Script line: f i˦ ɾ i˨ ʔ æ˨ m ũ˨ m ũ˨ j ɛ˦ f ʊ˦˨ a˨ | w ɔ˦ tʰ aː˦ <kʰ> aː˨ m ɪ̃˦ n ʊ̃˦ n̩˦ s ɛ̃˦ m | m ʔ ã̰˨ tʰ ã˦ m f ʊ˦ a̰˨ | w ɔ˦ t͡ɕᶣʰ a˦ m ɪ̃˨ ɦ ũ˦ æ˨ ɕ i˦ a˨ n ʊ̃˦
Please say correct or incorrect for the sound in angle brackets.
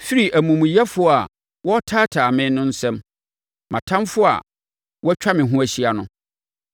incorrect